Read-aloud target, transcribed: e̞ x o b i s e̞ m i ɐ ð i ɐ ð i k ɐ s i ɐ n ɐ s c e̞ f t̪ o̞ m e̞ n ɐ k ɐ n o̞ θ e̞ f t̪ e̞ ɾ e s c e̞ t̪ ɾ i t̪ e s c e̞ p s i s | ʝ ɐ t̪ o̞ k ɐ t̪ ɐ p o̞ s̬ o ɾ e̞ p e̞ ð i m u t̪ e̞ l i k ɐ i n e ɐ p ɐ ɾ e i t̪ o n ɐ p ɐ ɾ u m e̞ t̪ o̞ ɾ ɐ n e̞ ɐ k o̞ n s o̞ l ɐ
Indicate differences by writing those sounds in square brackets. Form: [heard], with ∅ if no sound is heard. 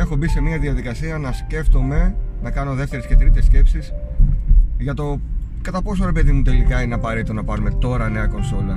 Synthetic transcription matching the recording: e̞ x o b i s e̞ m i ɐ ð i ɐ ð i k ɐ s i ɐ n ɐ s c e̞ f t̪ o̞ m e̞ n ɐ k ɐ n o̞ [ð] e̞ f t̪ e̞ ɾ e s c e̞ t̪ ɾ i t̪ e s c e̞ p s i s | ʝ ɐ t̪ o̞ k ɐ t̪ ɐ p o̞ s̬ o ɾ e̞ p e̞ ð i m u t̪ e̞ l i k ɐ i n e ɐ p ɐ ɾ e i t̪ o n ɐ p ɐ ɾ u m e̞ t̪ o̞ ɾ ɐ n e̞ ɐ k o̞ n s o̞ l ɐ